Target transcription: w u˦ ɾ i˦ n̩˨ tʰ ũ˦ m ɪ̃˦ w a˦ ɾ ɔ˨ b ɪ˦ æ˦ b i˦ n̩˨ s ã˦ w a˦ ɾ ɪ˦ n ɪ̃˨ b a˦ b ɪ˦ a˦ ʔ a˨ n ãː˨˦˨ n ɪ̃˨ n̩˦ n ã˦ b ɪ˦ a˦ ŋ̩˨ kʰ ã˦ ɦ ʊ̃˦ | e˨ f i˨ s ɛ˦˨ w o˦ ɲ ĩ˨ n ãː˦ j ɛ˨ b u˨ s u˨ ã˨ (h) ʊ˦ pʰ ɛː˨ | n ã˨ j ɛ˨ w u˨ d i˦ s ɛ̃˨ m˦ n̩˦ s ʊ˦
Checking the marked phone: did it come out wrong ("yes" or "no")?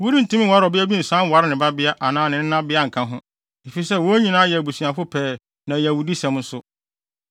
yes